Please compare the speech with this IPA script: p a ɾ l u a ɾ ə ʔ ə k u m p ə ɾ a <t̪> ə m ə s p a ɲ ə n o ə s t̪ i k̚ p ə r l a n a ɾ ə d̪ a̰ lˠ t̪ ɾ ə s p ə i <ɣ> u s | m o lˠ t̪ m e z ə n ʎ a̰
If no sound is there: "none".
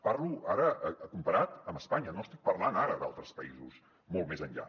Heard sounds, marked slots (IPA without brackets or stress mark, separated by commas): t̪, z